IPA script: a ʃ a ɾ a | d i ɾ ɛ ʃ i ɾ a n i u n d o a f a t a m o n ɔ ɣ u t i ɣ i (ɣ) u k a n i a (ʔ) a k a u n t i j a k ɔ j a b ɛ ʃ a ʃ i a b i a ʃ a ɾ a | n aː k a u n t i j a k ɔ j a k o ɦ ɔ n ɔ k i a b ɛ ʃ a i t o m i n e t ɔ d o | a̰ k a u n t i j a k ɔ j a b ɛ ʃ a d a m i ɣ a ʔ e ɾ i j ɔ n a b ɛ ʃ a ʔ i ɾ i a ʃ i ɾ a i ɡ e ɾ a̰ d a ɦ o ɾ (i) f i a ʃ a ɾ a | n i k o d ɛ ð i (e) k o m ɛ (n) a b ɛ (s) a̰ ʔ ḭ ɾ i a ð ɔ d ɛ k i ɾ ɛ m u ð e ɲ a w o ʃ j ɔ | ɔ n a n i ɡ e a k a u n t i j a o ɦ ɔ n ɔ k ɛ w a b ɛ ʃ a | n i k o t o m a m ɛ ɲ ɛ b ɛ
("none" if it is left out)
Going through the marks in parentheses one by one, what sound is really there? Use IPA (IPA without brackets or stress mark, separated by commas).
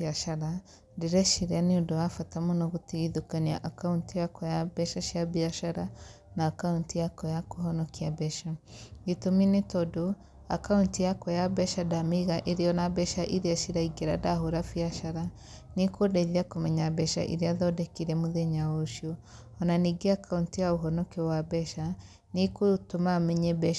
ð, ʔ, a, a, ɲ, ʃ